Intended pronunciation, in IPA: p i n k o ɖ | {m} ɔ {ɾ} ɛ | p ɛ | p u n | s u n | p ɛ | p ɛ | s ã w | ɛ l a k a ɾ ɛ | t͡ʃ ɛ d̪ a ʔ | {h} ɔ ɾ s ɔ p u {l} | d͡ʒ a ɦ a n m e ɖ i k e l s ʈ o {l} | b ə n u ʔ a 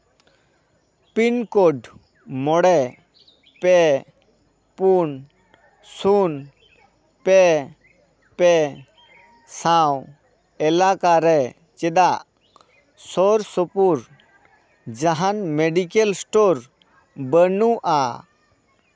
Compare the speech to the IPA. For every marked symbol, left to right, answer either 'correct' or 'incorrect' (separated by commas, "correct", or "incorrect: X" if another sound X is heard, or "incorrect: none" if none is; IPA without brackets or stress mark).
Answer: correct, incorrect: ɽ, incorrect: s, incorrect: ɾ, incorrect: ɾ